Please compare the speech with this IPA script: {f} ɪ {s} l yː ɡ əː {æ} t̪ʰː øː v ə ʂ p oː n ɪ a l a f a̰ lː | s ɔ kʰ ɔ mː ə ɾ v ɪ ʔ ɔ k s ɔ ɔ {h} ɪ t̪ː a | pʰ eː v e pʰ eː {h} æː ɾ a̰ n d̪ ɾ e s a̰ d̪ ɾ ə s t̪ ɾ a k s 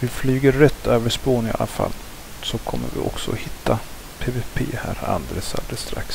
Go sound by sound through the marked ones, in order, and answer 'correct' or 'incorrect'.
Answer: incorrect: v, incorrect: f, incorrect: ɛ, correct, correct

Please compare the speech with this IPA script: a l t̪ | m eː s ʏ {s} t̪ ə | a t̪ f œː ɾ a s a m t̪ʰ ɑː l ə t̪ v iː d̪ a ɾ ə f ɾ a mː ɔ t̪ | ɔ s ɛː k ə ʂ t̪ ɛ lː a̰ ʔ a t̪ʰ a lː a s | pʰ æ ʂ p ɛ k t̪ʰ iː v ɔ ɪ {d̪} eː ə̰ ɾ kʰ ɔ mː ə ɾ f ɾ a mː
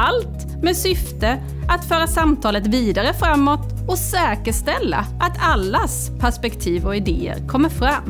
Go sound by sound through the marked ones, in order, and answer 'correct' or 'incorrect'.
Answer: incorrect: f, correct

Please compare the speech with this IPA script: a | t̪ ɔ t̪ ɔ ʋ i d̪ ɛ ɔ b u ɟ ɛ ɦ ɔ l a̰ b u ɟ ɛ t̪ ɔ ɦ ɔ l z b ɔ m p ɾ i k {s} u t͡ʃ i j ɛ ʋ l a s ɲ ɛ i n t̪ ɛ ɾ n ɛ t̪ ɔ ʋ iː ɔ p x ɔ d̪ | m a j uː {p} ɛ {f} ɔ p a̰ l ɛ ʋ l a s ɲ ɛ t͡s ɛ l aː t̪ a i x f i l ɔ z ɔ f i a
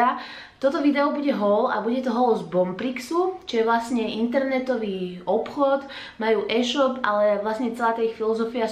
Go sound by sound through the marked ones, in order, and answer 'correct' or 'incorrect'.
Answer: correct, incorrect: ʔ, incorrect: ʃ

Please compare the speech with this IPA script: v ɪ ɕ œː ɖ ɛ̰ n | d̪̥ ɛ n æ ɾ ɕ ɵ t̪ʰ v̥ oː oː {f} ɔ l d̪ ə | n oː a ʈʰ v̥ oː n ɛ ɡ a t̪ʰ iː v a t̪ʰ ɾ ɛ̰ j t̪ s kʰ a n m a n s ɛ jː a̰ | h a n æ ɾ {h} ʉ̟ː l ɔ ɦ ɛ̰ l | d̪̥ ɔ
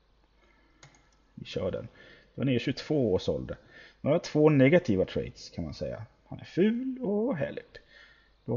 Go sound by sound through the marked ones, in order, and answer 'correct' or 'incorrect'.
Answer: incorrect: ʂ, incorrect: f

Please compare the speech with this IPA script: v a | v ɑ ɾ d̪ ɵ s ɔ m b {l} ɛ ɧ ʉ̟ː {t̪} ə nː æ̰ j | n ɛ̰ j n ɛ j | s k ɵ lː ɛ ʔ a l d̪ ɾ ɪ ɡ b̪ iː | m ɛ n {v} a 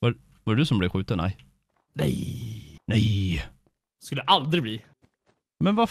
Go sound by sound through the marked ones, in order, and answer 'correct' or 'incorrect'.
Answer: correct, correct, correct

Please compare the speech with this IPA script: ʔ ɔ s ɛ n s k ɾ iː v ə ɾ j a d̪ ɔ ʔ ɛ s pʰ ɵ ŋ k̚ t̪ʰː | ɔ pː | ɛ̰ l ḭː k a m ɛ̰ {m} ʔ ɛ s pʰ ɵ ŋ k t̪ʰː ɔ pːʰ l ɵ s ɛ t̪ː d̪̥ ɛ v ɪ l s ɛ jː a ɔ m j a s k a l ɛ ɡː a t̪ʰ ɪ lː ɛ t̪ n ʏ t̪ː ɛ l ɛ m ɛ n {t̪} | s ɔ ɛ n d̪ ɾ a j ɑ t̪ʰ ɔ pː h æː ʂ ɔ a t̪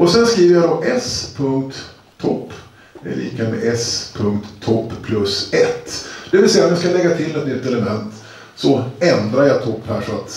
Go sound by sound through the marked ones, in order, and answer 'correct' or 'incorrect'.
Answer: incorrect: none, correct

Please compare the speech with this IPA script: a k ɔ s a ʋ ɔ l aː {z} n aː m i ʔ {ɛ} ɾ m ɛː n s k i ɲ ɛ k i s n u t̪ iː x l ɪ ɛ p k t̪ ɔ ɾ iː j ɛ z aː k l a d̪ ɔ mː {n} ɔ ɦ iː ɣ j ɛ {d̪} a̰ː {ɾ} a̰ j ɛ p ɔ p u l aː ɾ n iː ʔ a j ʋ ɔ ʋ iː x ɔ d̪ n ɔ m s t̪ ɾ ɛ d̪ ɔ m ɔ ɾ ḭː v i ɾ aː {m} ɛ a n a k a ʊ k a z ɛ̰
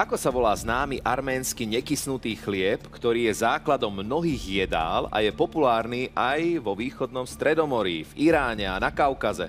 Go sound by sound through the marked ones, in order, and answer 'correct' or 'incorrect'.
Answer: correct, incorrect: a, correct, correct, incorrect: l, incorrect: ɲ

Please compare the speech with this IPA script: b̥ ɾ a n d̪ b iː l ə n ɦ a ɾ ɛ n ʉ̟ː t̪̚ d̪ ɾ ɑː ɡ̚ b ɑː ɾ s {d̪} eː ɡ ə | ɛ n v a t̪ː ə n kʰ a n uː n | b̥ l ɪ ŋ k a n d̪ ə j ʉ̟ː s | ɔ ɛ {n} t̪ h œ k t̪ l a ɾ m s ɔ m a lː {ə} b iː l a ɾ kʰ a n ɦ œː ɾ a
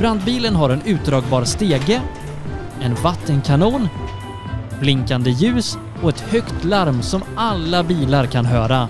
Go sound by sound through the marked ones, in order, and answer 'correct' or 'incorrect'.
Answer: incorrect: t̪, incorrect: none, incorrect: a

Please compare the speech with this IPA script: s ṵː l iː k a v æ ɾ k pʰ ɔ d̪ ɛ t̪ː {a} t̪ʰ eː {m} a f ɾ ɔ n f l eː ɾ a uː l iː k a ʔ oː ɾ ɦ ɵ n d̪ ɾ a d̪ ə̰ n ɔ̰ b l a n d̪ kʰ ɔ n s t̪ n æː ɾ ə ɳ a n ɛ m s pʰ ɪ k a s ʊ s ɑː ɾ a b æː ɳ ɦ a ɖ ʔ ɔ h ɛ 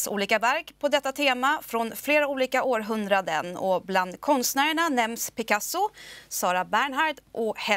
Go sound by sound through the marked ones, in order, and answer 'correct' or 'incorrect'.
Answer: correct, correct

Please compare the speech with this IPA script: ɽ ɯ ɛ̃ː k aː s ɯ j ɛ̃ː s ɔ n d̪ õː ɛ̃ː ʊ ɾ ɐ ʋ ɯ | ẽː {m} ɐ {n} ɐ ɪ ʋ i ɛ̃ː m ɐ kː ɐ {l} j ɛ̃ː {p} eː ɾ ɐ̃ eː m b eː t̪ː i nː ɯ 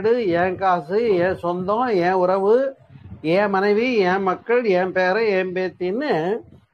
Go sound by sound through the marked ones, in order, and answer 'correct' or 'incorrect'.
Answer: correct, correct, incorrect: ɭ, correct

